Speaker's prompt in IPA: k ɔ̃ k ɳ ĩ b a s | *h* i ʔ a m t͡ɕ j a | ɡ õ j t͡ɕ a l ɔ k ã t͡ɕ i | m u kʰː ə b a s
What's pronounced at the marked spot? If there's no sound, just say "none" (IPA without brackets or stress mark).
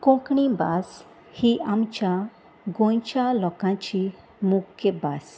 h